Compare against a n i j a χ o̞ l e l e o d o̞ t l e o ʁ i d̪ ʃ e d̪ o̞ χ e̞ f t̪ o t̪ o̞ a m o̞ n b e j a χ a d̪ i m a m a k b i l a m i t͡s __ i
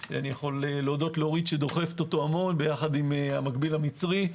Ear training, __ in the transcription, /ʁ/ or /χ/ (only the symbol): ʁ